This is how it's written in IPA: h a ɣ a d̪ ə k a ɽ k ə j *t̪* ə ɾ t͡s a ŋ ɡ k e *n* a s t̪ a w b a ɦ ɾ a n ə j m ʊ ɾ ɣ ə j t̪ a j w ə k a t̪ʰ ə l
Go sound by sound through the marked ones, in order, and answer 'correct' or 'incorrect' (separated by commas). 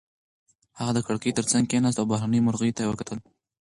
correct, correct